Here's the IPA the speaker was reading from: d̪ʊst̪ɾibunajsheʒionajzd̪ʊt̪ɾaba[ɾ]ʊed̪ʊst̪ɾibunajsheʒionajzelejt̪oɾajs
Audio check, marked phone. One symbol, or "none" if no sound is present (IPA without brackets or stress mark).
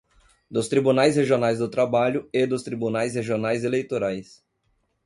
ʎ